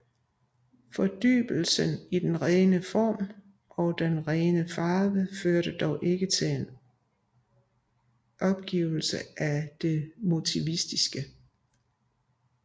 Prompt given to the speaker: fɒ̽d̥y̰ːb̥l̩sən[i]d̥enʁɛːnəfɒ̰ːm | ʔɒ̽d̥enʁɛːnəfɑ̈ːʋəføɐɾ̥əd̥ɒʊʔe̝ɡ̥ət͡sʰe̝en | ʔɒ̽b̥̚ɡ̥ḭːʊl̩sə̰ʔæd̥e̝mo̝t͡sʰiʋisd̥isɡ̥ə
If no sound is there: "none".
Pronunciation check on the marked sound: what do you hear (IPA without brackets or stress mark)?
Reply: i